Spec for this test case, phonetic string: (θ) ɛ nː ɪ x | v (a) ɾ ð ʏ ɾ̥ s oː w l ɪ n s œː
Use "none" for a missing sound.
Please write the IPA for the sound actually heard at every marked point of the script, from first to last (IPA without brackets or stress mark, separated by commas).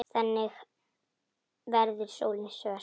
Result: θ, ɛ